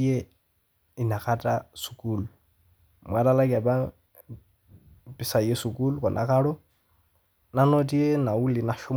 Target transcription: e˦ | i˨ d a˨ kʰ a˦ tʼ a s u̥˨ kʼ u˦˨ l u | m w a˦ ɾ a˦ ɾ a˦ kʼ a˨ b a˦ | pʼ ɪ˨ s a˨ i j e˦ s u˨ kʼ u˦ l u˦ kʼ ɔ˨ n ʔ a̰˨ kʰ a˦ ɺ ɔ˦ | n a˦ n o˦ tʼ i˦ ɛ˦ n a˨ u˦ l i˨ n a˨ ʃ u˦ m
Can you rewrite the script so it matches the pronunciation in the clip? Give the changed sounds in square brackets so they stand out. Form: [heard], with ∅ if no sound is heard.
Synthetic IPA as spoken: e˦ | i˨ [n] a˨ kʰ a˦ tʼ a s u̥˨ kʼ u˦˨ l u | m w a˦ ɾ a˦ [l] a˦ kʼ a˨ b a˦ | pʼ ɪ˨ s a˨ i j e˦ s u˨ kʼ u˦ l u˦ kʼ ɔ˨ n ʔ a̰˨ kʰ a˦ ɺ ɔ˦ | n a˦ n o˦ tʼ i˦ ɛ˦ n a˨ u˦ l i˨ n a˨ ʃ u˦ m